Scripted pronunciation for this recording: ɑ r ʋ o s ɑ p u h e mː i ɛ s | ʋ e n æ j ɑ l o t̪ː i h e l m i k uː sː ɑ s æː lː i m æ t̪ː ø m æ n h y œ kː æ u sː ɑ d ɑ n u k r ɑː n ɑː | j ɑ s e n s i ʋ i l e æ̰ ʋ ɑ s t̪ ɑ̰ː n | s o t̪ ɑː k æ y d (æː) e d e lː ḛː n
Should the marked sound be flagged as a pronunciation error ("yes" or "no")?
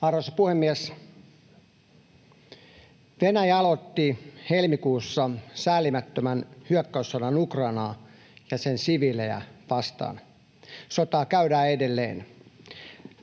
no